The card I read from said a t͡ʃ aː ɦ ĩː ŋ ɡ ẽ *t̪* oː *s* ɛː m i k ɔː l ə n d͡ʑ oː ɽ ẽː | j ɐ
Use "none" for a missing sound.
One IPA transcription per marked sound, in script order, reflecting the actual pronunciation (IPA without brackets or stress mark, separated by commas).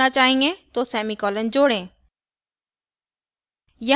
t̪, s